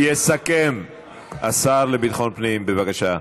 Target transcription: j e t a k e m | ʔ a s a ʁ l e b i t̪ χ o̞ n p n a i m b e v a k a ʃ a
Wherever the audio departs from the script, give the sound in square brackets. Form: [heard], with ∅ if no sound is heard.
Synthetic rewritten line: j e [s] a k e m | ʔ a s a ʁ l e b i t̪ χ o̞ n p n [i] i m b e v a k a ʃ a